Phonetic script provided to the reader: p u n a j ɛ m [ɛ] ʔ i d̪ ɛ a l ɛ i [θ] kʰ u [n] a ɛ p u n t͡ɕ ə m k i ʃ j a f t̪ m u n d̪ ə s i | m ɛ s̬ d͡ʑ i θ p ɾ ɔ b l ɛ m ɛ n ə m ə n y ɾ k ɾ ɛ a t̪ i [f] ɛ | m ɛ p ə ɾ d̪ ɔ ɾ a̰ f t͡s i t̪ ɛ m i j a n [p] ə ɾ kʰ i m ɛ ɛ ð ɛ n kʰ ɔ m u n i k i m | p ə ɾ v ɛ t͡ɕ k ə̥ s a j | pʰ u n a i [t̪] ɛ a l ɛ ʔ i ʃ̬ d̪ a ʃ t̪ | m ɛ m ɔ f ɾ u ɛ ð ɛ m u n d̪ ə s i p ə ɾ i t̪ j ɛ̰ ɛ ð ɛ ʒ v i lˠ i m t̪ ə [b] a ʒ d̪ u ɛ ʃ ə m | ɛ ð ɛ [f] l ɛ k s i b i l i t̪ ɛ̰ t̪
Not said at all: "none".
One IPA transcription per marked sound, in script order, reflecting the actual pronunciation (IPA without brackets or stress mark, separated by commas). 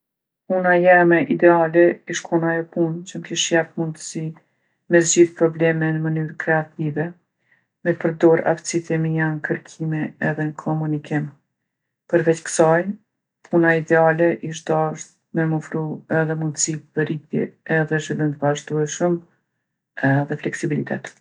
ɛ, ʃ, n, v, k, d̪, v, f